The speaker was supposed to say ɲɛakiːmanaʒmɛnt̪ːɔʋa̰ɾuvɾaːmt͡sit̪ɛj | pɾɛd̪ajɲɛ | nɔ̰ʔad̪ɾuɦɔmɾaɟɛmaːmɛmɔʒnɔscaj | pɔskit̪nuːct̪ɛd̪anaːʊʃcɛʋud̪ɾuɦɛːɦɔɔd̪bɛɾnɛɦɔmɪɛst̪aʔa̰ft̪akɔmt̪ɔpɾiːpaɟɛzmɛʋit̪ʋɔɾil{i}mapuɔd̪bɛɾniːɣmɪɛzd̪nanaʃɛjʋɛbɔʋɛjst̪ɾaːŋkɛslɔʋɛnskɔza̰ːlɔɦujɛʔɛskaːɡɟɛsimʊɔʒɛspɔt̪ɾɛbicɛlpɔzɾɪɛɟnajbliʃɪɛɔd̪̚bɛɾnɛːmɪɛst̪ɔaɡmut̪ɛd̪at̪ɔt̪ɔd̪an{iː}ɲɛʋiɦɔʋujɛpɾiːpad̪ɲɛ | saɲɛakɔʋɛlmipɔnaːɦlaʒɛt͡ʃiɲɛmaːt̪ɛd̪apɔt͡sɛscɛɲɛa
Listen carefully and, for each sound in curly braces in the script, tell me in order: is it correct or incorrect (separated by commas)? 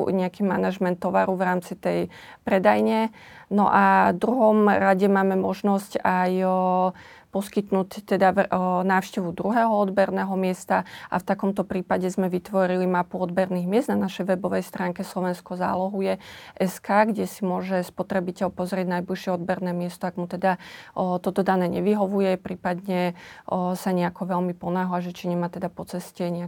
correct, incorrect